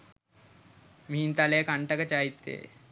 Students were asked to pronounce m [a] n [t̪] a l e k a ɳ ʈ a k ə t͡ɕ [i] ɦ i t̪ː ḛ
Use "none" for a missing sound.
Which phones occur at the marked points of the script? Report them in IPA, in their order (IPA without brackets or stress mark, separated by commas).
i, t̪, a